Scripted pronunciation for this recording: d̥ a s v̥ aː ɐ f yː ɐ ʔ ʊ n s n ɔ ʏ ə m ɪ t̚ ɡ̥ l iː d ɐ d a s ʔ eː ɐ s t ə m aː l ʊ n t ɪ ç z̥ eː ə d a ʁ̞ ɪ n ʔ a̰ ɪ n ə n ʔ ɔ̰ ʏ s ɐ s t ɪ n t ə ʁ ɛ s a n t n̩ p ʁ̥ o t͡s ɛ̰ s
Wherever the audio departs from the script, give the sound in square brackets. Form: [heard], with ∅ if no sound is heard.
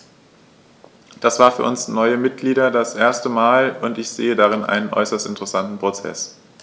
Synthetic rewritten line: d̥ a s v̥ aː ɐ f yː ɐ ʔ ʊ n s n ɔ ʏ ə m ɪ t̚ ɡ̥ l iː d ɐ d a s ʔ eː ɐ s t ə m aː l ʊ n t ɪ ç z̥ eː ə d a ʁ̞ ɪ n ʔ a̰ ɪ n ə n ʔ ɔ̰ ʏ s ɐ s t ɪ n t ə ʁ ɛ s a n t n̩ p ʁ̥ o t͡s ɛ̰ s